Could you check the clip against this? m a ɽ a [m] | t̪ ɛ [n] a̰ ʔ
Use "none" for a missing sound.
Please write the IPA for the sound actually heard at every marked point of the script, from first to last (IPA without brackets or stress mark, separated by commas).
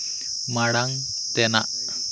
ŋ, n